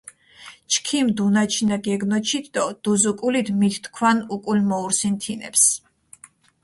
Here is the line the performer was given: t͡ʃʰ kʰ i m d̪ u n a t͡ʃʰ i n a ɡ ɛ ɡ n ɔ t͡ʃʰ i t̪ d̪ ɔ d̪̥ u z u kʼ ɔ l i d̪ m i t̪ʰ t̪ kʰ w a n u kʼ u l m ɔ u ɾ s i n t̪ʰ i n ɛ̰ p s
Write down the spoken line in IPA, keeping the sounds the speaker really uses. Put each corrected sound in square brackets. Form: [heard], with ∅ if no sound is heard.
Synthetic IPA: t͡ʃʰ kʰ i m d̪ u n a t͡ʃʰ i n a ɡ ɛ ɡ n ɔ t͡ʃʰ i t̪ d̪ ɔ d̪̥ u z u kʼ [u] l i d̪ m i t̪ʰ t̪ kʰ w a n u kʼ u l m ɔ u ɾ s i n t̪ʰ i n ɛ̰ p s